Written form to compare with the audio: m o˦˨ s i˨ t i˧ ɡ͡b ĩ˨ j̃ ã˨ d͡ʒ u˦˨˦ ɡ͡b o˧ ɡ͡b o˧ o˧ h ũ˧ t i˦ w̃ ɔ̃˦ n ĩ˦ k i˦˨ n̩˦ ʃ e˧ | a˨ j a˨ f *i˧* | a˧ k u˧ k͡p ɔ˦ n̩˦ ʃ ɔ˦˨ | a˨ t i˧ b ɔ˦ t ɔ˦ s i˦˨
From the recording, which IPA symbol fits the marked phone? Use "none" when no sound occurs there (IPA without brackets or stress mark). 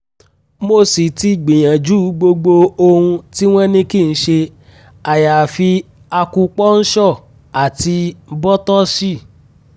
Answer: i˧